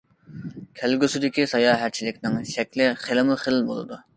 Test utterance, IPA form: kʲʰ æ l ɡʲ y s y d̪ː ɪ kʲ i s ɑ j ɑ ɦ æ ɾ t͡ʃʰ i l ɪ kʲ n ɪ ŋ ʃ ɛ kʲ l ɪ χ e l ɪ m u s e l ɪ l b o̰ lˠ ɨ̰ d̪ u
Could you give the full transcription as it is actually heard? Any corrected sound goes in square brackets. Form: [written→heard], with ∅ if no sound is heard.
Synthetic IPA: kʲʰ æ l ɡʲ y s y [d̪ː→d̪] ɪ kʲ i s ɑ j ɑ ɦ æ ɾ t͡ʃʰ i l ɪ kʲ n ɪ ŋ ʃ ɛ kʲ l ɪ χ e l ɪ m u [s→χ] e l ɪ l b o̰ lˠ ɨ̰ d̪ u